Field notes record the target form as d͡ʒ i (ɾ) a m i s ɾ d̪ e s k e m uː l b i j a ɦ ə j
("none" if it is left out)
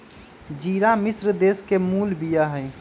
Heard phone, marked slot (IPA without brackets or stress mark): ɾ